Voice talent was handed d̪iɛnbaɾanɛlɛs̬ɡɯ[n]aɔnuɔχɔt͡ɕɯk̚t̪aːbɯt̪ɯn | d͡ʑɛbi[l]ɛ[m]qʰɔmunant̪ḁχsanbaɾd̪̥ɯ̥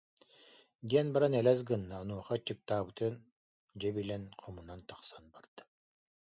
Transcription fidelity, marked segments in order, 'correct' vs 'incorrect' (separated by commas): incorrect, correct, incorrect